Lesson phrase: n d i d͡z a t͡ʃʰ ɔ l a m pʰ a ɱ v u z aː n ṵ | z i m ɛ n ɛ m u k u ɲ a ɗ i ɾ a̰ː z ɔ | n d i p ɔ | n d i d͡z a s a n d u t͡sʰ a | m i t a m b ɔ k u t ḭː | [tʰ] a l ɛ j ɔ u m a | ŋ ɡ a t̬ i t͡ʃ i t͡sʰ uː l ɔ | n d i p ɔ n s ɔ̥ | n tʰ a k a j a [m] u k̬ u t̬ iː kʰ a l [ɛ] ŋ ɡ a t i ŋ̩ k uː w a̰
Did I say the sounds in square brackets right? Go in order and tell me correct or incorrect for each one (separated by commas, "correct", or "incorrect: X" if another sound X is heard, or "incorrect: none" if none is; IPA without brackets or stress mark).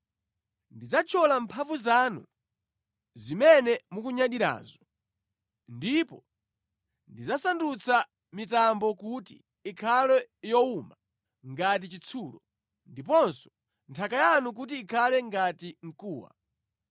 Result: incorrect: kʰ, incorrect: n, correct